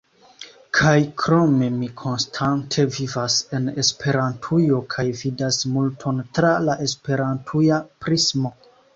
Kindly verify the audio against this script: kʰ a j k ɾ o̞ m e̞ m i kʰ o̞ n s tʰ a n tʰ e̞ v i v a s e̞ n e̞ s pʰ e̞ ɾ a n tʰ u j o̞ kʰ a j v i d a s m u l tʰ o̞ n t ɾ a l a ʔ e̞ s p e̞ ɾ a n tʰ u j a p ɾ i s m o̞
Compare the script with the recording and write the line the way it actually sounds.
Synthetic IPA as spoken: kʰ a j k ɾ o̞ m e̞ m i kʰ o̞ n s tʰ a n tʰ e̞ v i v a s e̞ n e̞ s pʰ e̞ ɾ a n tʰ u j o̞ kʰ a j v i d a s m u l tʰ o̞ n t ɾ a l a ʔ e̞ s p e̞ ɾ a n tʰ u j a p ɾ i s m o̞